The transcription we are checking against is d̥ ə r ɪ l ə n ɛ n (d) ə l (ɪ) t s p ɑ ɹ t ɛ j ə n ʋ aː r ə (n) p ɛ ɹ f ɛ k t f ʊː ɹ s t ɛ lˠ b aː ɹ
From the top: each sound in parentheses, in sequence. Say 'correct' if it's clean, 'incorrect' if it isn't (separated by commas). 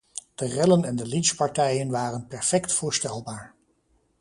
correct, incorrect, correct